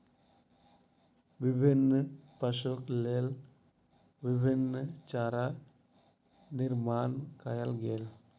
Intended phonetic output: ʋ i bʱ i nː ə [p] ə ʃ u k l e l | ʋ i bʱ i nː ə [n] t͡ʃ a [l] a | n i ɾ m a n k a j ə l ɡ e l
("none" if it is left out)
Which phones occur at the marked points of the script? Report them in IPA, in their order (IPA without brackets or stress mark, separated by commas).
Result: p, none, ɾ